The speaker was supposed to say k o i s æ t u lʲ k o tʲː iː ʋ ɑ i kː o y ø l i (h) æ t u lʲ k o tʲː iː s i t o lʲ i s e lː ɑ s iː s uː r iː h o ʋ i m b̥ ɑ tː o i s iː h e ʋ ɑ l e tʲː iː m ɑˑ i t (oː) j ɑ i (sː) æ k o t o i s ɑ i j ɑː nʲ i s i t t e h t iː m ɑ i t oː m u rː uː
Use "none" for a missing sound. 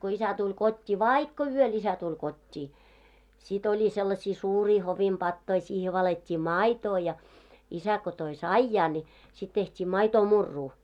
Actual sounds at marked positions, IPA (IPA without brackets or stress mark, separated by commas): s, oː, s